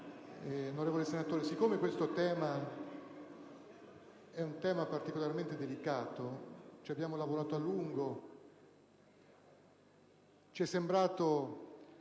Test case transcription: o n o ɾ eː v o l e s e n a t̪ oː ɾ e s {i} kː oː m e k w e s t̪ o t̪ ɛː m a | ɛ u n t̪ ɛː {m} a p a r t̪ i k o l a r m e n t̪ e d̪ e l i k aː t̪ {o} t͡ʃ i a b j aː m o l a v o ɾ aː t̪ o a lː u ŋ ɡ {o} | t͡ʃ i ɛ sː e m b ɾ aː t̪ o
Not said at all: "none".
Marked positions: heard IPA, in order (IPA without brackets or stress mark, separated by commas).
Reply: i, m, o, o